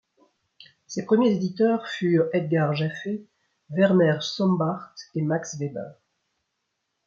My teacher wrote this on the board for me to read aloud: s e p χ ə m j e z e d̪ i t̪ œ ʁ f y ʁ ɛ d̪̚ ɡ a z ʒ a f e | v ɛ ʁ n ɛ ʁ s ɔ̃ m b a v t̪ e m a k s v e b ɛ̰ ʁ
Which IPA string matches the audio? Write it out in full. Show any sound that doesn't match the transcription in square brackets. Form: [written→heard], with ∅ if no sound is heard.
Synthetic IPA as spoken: s e p χ ə m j e z e d̪ i t̪ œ ʁ f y ʁ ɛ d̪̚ ɡ a [z→ʁ] ʒ a f e | v ɛ ʁ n ɛ ʁ s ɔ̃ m b a [v→ʁ] t̪ e m a k s v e b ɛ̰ ʁ